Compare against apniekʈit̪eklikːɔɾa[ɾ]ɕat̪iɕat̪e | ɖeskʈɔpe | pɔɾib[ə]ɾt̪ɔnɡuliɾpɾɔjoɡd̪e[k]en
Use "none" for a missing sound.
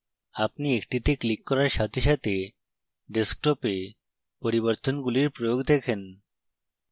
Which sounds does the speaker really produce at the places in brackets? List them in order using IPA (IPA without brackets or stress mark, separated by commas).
ɾ, ə, kʰ